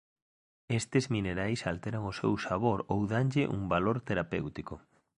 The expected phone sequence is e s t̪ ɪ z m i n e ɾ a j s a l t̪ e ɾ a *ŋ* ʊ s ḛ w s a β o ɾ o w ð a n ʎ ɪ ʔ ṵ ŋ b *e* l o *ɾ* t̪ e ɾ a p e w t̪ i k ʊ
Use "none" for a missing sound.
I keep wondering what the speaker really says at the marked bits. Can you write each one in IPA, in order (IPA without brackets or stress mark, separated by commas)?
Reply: ŋ, a, ɾ